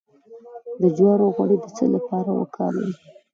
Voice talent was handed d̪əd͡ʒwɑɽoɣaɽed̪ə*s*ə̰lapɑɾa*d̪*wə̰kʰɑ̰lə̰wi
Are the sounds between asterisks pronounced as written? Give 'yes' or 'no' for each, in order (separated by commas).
no, no